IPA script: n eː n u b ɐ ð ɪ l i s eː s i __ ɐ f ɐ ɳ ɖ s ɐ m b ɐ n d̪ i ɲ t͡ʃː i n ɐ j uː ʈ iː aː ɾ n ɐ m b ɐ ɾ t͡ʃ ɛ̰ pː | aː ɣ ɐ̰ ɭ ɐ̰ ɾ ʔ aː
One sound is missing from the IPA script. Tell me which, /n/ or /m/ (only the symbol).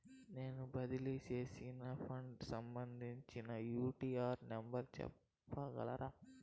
n